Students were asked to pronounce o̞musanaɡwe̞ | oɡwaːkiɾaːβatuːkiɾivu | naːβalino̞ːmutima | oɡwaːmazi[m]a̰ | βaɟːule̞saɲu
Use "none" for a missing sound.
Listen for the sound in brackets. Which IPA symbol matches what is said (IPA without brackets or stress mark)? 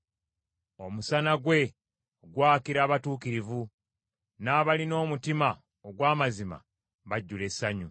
m